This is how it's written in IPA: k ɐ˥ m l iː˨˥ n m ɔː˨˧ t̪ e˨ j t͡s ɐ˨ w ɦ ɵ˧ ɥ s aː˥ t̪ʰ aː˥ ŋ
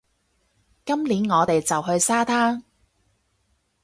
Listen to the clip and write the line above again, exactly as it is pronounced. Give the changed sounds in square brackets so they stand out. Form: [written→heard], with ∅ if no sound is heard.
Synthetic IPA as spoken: k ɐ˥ m l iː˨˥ n [m→ŋ] ɔː˨˧ t̪ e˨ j t͡s ɐ˨ w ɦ ɵ˧ ɥ s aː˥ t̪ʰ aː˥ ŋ